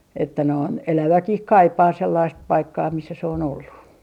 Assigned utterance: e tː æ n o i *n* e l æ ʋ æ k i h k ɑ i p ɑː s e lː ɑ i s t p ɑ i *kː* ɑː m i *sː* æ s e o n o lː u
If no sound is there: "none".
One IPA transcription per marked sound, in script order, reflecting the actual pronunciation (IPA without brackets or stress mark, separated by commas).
n, kː, sː